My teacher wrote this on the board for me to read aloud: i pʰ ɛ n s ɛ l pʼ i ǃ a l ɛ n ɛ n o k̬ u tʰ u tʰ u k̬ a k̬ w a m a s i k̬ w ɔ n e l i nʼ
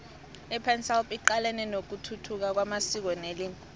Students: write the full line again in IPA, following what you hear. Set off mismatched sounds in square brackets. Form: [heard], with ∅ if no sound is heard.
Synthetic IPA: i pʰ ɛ n s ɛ l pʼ i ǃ a l ɛ n ɛ n o k̬ u tʰ u tʰ u k̬ a k̬ w a m a s i k̬ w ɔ n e l i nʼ